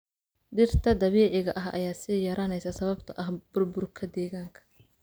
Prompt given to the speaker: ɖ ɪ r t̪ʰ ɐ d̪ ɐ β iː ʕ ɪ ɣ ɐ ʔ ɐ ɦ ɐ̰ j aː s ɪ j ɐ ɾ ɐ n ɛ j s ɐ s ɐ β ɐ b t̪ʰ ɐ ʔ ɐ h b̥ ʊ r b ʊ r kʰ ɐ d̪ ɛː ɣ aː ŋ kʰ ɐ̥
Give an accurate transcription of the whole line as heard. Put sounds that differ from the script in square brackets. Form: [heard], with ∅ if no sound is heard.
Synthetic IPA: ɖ ɪ r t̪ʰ ɐ d̪ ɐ β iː ʕ ɪ ɣ ɐ ʔ ɐ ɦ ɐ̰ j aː s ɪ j ɐ ɾ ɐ n ɛ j s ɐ s ɐ β ɐ b t̪ʰ ɐ ʔ ɐ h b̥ ʊ r b ʊ r kʰ ɐ d̪ ɛː ɣ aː ŋ kʰ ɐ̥